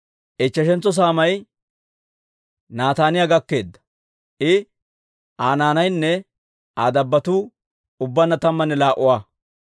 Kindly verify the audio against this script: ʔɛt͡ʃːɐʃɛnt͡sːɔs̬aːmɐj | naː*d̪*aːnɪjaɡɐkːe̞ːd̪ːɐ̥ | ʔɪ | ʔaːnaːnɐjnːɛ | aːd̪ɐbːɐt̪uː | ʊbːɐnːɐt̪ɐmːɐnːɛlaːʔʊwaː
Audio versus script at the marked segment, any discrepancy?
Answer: yes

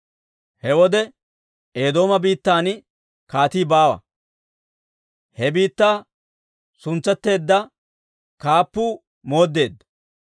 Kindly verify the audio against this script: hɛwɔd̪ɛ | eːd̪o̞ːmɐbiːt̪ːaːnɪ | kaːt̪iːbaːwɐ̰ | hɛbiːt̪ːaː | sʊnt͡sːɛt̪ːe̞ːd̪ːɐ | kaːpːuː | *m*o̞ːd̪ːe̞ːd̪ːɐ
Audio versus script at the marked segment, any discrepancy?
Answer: no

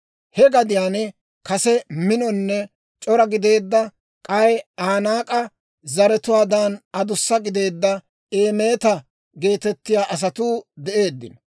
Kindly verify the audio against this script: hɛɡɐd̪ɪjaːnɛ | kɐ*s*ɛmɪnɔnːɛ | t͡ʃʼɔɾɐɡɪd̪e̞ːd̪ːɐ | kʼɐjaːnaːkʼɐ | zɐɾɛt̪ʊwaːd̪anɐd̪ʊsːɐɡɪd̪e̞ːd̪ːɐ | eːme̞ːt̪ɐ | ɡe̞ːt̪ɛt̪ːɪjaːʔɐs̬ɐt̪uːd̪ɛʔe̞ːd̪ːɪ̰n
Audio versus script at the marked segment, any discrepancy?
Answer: no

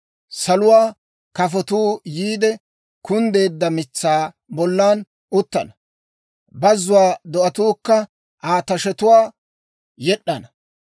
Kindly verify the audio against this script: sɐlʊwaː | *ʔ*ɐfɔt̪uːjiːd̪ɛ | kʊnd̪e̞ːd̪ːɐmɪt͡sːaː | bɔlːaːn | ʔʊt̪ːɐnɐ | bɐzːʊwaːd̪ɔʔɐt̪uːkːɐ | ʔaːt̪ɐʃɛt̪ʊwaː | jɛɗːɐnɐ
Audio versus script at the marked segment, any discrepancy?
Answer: yes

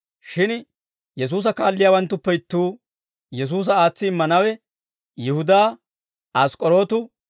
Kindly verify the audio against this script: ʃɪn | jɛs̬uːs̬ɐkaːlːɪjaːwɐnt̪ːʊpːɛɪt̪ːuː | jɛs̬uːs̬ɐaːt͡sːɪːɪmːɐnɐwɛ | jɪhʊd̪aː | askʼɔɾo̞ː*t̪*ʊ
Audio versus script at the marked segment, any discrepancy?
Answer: no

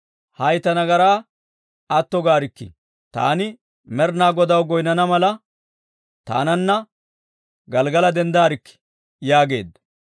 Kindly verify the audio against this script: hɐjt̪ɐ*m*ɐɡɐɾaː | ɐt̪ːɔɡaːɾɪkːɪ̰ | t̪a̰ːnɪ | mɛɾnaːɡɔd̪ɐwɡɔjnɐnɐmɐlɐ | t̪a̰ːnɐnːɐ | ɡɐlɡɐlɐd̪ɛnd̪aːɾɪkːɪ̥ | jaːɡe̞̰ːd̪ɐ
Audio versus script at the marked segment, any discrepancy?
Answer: yes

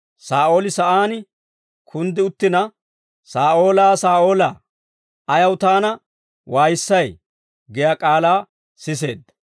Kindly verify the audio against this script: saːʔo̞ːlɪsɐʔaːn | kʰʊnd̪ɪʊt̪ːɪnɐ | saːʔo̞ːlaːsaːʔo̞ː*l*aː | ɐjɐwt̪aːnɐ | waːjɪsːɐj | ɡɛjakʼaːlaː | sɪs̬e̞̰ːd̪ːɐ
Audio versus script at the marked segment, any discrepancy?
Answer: no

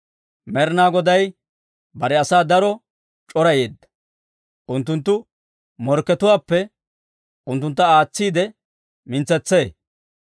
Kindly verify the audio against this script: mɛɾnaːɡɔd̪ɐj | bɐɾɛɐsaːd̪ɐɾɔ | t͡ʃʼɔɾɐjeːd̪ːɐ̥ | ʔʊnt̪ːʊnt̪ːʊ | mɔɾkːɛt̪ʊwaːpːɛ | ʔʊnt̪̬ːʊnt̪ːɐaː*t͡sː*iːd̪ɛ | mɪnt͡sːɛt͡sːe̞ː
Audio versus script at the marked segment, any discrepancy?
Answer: no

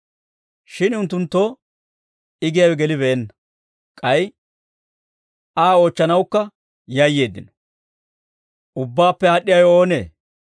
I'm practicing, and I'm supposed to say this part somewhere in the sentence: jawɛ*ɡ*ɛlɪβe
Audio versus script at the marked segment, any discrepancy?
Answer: no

